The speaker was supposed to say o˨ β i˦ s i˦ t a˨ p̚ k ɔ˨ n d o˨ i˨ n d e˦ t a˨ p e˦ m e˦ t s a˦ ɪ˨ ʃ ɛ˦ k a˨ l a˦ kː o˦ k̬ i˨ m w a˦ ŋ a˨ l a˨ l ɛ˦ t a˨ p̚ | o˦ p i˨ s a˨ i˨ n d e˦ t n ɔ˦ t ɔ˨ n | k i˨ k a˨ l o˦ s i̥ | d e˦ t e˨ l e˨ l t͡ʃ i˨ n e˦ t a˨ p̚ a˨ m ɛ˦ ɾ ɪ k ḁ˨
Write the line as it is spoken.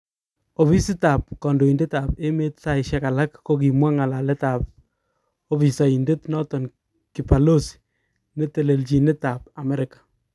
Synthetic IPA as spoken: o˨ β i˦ s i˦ t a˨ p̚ k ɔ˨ n d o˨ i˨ n d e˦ t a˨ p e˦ m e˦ t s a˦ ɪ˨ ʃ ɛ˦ k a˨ l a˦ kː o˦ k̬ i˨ m w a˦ ŋ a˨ l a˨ l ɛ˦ t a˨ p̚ | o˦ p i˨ s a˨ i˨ n d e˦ t n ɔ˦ t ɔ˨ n | k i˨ p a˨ l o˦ s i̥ | n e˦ t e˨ l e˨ l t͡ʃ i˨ n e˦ t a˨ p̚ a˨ m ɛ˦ ɾ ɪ k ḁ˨